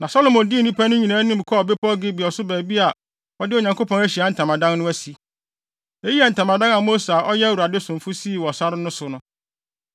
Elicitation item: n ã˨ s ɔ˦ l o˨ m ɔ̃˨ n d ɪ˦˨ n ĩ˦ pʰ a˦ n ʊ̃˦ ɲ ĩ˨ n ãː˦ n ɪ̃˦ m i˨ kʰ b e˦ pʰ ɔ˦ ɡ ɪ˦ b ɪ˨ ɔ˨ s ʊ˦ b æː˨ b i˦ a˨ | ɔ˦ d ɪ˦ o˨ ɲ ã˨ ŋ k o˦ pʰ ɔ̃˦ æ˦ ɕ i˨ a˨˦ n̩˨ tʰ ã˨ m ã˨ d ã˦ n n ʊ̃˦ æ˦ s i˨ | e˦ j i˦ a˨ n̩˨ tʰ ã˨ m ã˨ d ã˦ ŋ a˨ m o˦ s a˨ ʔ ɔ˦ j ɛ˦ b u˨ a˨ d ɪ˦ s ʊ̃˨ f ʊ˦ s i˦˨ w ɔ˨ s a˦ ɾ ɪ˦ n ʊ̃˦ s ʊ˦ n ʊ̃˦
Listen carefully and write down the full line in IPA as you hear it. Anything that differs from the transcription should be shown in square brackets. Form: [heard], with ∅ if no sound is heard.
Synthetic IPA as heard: n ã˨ s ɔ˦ l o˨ m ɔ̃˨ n d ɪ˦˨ n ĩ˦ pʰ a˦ n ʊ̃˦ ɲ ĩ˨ n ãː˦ n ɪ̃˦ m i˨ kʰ b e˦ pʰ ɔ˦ ɡ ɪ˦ b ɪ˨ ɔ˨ s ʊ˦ b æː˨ b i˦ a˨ | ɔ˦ d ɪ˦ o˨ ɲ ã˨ ŋ k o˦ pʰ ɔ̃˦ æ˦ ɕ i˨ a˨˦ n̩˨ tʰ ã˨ m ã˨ d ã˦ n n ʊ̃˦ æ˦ s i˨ | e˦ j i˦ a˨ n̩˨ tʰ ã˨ m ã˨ d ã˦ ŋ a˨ m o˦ s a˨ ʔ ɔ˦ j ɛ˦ [w] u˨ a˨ d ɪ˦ s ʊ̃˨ f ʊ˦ s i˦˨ w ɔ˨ s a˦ ɾ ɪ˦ n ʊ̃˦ s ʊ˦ n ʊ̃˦